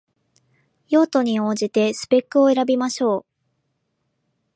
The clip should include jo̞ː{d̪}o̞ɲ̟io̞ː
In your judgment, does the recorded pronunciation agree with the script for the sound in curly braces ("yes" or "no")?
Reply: no